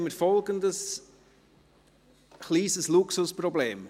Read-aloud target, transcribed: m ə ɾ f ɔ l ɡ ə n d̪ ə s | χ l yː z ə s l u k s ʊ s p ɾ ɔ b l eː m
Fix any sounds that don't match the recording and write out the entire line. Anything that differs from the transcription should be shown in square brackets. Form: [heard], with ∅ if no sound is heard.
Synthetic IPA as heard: m ə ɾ f ɔ l ɡ ə n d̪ ə s | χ l [iː] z ə s l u k s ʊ s p ɾ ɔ b l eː m